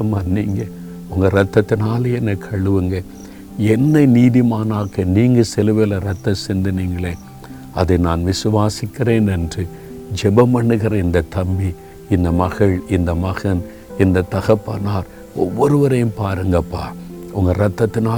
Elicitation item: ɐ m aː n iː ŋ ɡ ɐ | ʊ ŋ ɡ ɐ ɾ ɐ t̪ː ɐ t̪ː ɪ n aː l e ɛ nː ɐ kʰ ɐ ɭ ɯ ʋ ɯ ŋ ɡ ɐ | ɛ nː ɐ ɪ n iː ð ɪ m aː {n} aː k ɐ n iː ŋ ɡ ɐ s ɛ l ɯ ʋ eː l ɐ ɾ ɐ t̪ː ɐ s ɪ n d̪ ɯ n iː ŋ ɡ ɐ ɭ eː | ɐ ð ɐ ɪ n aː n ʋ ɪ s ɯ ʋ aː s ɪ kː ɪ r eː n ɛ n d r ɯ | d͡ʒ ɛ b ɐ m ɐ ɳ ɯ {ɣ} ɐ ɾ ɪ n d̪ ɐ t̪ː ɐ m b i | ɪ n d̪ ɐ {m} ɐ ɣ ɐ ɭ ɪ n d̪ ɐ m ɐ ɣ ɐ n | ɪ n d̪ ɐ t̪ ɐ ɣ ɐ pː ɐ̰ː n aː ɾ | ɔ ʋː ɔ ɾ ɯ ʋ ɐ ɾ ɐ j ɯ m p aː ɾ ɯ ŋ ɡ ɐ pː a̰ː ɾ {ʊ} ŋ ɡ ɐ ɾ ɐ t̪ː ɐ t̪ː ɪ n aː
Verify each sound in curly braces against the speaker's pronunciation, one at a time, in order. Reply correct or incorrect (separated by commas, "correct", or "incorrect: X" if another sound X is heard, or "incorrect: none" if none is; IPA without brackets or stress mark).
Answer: correct, correct, correct, correct